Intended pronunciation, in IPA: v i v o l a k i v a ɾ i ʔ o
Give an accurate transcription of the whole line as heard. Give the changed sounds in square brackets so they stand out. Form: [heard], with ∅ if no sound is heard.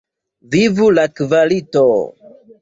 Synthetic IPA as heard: v i v [u] l a k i v a [l] i [t] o

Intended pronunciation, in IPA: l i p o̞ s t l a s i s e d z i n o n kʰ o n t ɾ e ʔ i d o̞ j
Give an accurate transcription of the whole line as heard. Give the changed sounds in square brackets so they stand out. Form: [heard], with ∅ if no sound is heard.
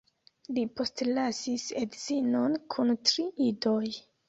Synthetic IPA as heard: l i p o̞ s t l a s i s e d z i n o n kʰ [u] n t ɾ [i] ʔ i d o̞ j

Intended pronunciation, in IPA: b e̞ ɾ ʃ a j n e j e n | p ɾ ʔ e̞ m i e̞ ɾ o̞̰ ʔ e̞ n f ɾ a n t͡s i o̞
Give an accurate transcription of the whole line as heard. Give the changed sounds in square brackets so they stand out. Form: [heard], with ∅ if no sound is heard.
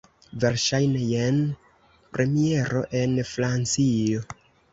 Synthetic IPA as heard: [v] e̞ ɾ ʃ a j n e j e n | p ɾ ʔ e̞ m i e̞ ɾ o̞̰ ʔ e̞ n f ɾ a n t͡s i o̞

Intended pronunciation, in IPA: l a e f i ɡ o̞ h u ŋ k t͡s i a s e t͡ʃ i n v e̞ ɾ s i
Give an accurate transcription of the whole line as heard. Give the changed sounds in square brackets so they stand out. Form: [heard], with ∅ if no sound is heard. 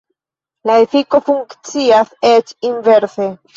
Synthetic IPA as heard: l a e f i [k] o̞ [f] u ŋ k t͡s i a s e t͡ʃ i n v e̞ ɾ s [e]

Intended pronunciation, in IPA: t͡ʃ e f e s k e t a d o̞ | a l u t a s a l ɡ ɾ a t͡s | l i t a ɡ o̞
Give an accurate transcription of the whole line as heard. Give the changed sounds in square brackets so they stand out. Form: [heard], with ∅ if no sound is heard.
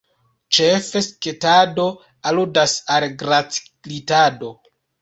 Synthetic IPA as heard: t͡ʃ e f e s k e t a d o̞ | a l u [d] a s a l ɡ ɾ a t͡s | l i t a [d] o̞

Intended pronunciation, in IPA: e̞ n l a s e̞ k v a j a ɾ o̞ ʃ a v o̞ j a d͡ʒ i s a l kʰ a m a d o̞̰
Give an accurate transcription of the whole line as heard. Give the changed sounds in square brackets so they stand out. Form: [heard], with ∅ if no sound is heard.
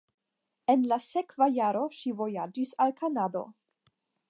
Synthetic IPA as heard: e̞ n l a s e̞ k v a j a ɾ o̞ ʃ [i] v o̞ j a d͡ʒ i s a l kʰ a [n] a d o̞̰

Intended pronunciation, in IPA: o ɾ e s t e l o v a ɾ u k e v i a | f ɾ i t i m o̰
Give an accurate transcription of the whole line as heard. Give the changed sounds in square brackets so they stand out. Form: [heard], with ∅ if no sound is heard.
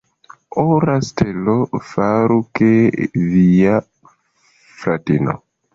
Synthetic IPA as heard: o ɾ [a] s t e l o [f] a ɾ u k e v i a | f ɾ [a] t i [n] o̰

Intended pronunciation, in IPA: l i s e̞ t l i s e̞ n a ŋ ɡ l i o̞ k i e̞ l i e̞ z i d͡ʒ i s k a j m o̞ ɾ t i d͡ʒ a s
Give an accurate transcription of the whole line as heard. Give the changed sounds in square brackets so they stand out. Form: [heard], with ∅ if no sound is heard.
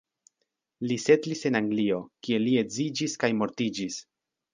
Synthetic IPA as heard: l i s e̞ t l i s e̞ n a ŋ ɡ l i o̞ k i e̞ l i e̞ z i d͡ʒ i s k a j m o̞ ɾ t i d͡ʒ [i] s

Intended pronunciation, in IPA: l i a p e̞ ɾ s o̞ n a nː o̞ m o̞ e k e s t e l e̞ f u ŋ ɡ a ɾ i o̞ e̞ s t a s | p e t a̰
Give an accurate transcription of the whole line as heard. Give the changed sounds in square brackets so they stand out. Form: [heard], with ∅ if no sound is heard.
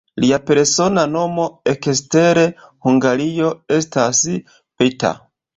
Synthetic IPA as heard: l i a p e̞ ɾ s o̞ n a [n] o̞ m o̞ e k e s t e [ɾ] e̞ [h] u ŋ ɡ a ɾ i o̞ e̞ s t a s | p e t a̰

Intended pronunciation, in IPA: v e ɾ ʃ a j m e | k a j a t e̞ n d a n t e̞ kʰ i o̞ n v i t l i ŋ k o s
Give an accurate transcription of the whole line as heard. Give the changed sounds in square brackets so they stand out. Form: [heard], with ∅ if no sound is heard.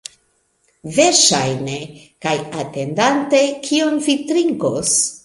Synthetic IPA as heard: v e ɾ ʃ a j [n] e | k a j a t e̞ n d a n t e̞ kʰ i o̞ n v i t [ɾ] i ŋ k o s

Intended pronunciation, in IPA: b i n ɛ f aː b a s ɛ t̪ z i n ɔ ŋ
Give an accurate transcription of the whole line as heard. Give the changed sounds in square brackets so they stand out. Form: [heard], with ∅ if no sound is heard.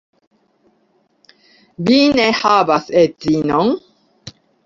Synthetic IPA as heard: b i n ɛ [h] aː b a s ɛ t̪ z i n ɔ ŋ

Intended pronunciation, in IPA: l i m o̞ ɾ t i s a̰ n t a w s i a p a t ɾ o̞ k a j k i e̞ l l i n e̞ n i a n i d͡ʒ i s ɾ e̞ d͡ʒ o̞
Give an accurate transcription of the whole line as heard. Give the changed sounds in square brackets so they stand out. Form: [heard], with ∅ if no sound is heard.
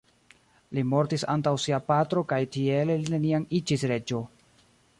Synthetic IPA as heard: l i m o̞ ɾ t i s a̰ n t a w s i a p a t ɾ o̞ k a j [t] i e̞ l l i n e̞ n i a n i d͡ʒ i s ɾ e̞ d͡ʒ o̞

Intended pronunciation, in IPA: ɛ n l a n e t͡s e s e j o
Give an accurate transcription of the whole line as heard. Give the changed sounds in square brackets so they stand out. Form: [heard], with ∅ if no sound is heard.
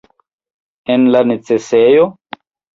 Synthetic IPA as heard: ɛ n l a n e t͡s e s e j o

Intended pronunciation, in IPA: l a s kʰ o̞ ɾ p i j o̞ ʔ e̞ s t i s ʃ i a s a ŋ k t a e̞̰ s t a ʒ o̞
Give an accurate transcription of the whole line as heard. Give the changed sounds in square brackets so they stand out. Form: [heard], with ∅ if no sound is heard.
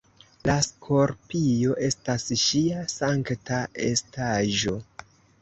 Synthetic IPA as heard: l a s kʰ o̞ ɾ p i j o̞ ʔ e̞ s t [a] s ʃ i a s a ŋ k t a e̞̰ s t a ʒ o̞

